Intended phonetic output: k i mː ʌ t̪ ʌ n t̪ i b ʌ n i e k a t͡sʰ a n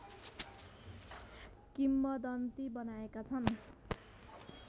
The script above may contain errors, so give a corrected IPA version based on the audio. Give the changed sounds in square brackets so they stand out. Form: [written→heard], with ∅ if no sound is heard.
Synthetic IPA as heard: k i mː ʌ [t̪→d̪] ʌ n t̪ i b ʌ n [i→a] e k a t͡sʰ [a→ʌ] n